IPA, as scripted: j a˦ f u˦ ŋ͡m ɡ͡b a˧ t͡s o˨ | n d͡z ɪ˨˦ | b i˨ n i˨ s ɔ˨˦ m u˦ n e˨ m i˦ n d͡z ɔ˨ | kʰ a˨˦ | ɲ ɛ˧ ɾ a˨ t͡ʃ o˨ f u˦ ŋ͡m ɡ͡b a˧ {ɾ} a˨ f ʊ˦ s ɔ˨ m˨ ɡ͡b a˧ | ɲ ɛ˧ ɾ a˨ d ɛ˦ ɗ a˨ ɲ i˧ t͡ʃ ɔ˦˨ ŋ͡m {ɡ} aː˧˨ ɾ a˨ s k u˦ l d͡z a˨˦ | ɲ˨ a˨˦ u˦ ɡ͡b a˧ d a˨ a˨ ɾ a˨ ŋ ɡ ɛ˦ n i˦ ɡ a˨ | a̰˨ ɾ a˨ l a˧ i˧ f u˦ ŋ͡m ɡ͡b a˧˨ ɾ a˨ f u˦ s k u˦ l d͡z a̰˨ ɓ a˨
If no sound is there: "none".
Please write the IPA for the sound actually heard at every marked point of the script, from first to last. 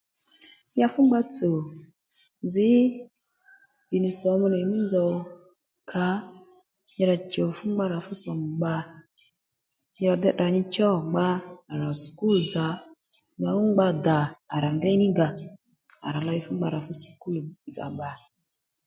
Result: ɾ, ɡ͡b

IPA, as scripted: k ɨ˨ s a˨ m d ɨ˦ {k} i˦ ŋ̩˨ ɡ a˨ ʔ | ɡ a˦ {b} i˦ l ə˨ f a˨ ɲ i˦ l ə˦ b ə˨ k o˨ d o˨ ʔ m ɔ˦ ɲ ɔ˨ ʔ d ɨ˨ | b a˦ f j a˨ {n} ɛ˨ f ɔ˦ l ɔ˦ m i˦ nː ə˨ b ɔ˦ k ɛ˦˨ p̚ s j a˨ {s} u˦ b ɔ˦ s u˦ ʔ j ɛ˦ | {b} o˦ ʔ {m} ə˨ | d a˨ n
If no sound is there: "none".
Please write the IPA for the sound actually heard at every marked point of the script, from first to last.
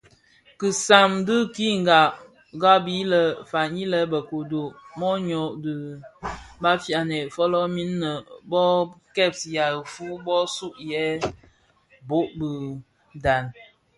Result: k, b, n, f, b, b

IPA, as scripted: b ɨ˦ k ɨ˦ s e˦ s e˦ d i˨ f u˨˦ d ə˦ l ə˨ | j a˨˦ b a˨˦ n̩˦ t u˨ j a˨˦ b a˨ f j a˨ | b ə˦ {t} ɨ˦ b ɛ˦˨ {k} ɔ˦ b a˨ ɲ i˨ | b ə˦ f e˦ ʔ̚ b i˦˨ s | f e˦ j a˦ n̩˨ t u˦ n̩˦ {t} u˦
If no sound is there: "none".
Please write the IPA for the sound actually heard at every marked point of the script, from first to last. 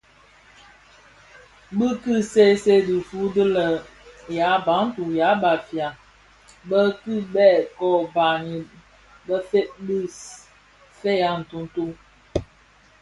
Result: k, k, t

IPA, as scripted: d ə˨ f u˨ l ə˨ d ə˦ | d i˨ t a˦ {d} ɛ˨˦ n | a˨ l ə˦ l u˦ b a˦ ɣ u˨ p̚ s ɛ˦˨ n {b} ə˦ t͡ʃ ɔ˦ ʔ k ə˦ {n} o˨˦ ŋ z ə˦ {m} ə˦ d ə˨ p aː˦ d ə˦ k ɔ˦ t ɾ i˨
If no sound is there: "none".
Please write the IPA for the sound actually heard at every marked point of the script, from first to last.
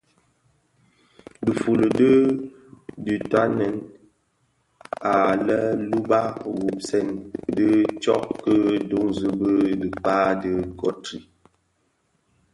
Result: n, d, d, b

